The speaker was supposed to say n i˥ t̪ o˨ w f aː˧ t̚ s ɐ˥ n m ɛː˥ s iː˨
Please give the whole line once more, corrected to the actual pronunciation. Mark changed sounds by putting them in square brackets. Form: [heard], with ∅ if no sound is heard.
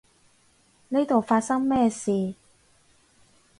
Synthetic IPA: n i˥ t̪ o˨ w f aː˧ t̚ s ɐ˥ [ŋ] m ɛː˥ s iː˨